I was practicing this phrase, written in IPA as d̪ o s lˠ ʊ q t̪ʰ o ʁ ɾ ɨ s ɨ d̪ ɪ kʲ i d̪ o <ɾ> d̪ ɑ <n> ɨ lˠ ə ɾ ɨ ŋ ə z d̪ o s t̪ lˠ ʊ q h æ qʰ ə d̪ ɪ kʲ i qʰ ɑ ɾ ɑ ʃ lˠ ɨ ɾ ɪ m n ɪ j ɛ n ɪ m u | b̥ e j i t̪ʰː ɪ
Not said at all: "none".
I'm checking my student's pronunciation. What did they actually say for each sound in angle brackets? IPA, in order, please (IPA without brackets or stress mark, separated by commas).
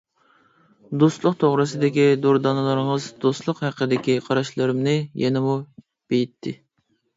ɾ, n